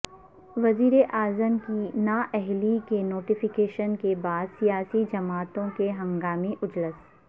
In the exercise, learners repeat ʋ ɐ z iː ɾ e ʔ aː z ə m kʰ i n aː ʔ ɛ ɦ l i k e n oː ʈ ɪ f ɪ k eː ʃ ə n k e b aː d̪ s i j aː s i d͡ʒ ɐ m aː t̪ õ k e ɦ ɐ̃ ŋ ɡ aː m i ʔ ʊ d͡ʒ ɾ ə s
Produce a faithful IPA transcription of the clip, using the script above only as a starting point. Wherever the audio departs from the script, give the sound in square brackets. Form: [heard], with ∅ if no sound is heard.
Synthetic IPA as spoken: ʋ ɐ z iː ɾ e ʔ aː z ə m [k] i n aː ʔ ɛ ɦ l i k e n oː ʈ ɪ f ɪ k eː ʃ ə n k e b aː d̪ s i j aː s i d͡ʒ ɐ m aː t̪ õ k e ɦ ɐ̃ ŋ ɡ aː m i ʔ ʊ d͡ʒ [l] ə s